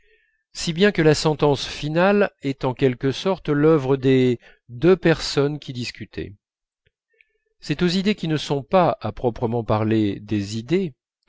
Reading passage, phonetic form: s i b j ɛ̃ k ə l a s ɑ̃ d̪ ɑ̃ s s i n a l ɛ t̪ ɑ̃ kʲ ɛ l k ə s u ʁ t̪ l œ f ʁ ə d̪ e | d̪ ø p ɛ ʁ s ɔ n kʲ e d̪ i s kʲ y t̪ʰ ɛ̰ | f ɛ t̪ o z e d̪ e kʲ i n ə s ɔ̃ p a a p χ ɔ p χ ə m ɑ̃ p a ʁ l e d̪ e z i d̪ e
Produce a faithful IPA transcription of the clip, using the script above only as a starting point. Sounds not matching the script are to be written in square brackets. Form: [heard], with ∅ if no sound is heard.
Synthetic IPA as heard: s i b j ɛ̃ k ə l a s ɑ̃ [t̪] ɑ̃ s [f] i n a l ɛ t̪ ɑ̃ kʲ ɛ l k ə s [ɔ] ʁ t̪ l œ [v] ʁ ə d̪ e | d̪ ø p ɛ ʁ s ɔ n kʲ [i] d̪ i s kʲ y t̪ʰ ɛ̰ | [s] ɛ t̪ o z [i] d̪ e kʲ i n ə s ɔ̃ p a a p χ ɔ p χ ə m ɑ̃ p a ʁ l e d̪ e z i d̪ e